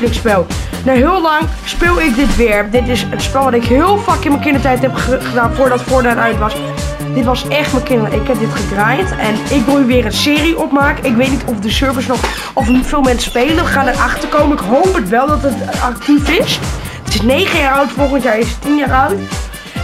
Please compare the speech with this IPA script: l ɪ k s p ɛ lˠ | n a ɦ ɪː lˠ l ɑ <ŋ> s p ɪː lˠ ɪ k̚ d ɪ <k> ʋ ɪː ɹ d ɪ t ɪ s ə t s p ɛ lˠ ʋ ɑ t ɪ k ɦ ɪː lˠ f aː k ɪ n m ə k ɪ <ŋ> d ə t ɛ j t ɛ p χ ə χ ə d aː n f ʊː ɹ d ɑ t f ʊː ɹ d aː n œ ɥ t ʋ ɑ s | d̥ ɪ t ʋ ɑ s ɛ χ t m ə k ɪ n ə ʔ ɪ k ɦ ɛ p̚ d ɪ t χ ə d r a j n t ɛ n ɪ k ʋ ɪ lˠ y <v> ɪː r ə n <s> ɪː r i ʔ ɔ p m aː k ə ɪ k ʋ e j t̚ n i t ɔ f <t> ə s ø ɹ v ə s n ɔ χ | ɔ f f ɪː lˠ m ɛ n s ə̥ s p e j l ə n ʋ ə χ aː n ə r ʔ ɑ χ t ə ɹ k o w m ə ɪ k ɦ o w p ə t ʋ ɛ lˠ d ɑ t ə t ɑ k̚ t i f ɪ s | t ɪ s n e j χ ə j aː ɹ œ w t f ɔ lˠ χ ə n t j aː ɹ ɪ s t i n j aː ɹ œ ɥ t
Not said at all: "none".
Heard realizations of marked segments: ŋ, t, n, ʋ, s, d

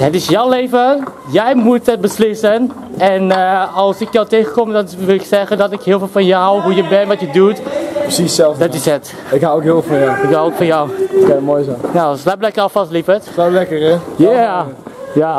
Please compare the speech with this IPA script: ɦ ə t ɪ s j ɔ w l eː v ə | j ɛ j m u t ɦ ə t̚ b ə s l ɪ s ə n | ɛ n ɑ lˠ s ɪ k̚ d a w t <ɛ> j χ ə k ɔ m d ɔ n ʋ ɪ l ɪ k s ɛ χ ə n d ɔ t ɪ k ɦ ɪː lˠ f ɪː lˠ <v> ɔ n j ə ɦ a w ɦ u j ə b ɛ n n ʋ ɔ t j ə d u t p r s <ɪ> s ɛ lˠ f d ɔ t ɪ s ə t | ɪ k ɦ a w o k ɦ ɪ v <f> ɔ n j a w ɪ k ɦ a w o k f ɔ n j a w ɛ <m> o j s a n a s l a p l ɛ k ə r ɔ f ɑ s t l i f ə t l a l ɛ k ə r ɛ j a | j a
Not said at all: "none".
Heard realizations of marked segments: e, f, i, f, m

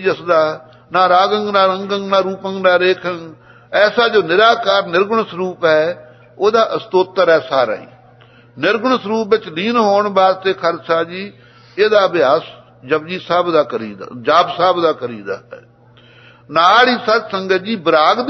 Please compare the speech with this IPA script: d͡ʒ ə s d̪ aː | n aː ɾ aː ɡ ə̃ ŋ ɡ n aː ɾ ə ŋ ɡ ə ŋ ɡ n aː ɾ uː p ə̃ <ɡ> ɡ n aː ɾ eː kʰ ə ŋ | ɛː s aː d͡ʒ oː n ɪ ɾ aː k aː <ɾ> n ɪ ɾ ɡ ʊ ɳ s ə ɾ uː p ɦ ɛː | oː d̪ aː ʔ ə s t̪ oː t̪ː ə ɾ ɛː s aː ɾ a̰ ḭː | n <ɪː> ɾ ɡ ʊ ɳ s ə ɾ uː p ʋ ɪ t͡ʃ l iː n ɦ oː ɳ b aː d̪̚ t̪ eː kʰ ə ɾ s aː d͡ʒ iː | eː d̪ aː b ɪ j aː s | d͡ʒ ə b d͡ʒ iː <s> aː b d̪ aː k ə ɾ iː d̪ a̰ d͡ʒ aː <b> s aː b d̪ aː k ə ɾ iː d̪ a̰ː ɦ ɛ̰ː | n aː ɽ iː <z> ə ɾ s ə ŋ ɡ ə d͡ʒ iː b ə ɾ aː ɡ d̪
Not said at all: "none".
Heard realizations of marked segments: ŋ, ɾ, ɪ, s, b, s

